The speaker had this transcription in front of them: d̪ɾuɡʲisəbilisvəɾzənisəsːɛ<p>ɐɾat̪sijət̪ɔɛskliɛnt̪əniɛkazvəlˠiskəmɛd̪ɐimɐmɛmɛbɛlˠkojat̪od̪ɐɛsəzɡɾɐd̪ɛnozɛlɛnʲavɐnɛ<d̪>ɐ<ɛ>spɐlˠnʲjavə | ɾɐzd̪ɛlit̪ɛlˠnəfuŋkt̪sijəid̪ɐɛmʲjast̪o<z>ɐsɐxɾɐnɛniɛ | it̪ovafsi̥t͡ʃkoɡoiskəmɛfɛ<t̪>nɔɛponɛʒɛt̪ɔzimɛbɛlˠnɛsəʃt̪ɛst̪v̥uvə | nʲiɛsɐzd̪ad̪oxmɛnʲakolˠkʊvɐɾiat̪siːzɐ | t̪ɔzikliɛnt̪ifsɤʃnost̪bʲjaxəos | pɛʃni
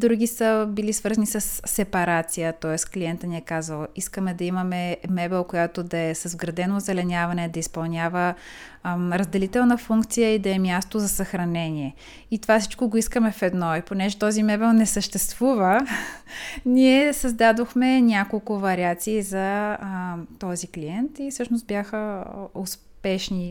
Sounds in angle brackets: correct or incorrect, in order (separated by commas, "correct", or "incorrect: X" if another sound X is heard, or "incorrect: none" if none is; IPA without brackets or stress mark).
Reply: correct, correct, incorrect: i, correct, incorrect: d̪